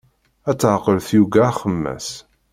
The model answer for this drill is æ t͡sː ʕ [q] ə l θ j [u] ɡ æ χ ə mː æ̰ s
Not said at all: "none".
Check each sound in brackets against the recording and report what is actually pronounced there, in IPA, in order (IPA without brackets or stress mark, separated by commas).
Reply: q, u